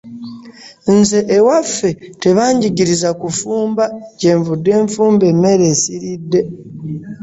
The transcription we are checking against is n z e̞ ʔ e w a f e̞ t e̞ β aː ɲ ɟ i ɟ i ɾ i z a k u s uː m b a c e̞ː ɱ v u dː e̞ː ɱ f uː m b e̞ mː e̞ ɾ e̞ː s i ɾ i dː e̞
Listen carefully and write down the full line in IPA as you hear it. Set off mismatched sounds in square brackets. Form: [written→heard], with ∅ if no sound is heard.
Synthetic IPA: n z e̞ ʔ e w a f e̞ t e̞ β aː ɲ ɟ i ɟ i ɾ i z a k u [s→f] uː m b a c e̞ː ɱ v u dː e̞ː ɱ f uː m b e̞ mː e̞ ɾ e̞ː s i ɾ i dː e̞